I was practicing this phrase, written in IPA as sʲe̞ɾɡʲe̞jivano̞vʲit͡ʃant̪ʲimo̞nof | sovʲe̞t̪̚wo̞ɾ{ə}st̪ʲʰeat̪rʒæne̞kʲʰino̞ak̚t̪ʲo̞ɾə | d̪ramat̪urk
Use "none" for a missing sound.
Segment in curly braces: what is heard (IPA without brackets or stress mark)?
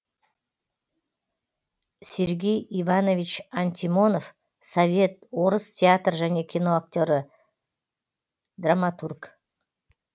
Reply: ə